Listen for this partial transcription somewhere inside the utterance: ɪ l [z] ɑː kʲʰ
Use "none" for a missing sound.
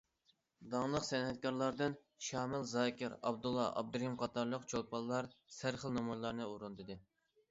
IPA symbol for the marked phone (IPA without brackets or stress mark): z